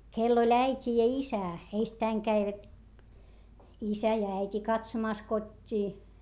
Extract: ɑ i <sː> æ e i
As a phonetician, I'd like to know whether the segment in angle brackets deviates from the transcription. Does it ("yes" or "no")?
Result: yes